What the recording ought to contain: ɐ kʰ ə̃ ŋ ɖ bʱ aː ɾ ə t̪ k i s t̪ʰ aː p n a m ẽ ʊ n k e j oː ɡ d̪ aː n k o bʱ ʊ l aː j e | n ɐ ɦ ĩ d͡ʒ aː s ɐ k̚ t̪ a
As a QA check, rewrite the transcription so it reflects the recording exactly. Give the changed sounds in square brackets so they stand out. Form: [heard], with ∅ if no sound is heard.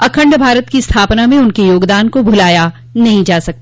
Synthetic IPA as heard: ɐ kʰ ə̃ [ɳ] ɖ bʱ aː ɾ ə t̪ k i s t̪ʰ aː p n a m ẽ ʊ n k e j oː ɡ d̪ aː n k o bʱ ʊ l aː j [a] | n ɐ ɦ ĩ d͡ʒ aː s ɐ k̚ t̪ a